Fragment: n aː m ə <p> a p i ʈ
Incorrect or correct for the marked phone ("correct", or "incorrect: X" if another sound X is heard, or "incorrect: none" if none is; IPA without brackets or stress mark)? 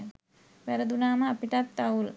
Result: incorrect: none